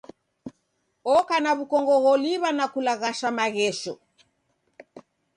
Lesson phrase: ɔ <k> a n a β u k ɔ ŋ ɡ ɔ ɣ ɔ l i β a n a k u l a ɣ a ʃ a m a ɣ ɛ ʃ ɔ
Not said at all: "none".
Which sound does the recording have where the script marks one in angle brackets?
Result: k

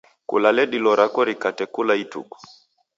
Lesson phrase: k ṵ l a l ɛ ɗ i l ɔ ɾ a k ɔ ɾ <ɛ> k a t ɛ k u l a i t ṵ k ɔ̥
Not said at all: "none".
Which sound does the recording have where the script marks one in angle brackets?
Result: i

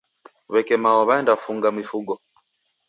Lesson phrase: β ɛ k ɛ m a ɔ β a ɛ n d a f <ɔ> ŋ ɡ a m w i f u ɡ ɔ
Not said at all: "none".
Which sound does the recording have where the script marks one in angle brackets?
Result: u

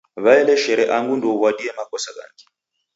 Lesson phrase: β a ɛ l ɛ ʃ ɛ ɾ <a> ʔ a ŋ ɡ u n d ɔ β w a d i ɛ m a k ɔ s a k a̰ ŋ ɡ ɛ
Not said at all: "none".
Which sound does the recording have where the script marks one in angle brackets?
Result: ɛ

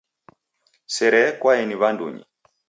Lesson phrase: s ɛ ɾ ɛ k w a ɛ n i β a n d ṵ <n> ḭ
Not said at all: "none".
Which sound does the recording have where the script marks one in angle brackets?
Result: ɲ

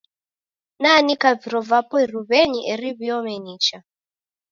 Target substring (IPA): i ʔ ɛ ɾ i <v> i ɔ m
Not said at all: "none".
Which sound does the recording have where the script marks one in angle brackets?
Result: β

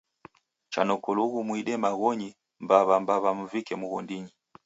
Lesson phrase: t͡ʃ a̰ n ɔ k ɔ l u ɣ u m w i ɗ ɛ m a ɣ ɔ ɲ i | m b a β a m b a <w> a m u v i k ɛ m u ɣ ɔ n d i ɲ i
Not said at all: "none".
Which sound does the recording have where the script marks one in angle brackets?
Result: β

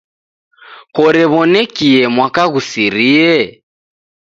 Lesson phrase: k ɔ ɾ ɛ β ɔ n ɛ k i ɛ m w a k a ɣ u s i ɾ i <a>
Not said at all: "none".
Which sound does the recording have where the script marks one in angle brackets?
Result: ɛ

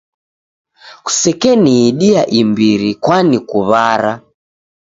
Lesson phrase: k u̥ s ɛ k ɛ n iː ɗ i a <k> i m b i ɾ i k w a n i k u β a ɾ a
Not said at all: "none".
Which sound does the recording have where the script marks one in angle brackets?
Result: ʔ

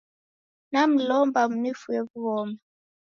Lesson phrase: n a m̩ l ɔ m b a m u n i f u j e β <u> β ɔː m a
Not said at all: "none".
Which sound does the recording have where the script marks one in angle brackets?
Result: u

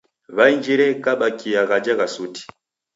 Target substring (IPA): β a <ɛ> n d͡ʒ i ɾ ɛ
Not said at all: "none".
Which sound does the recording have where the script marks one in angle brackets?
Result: i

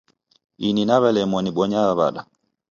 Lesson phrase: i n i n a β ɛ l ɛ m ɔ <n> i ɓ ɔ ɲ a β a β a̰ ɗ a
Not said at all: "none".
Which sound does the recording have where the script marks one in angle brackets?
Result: n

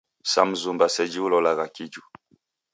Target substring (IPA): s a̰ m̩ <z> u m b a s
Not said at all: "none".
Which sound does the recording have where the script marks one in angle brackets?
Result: z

